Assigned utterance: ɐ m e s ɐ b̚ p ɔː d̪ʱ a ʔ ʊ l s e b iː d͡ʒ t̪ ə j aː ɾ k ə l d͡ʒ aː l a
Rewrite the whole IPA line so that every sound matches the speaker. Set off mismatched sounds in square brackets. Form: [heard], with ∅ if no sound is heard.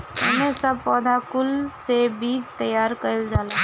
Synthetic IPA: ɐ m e s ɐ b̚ p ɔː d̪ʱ a [k] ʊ l s e b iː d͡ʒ t̪ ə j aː ɾ k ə l d͡ʒ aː l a